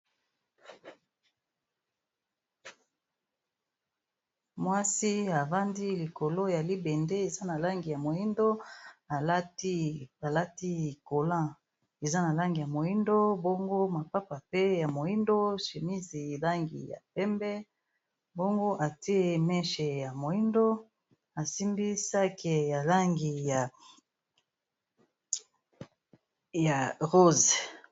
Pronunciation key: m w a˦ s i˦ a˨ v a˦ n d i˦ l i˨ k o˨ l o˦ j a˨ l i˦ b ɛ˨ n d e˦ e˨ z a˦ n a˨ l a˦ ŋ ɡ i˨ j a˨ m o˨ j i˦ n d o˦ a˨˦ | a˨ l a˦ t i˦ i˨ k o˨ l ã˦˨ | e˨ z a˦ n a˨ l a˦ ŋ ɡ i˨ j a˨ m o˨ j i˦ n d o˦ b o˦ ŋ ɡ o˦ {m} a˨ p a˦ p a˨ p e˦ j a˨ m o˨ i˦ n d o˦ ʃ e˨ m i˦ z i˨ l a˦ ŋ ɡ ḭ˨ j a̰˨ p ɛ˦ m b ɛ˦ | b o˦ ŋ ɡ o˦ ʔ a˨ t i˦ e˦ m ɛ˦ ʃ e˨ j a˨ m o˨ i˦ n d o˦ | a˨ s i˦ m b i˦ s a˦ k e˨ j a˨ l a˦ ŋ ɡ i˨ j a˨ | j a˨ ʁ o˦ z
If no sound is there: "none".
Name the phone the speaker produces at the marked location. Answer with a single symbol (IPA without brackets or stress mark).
m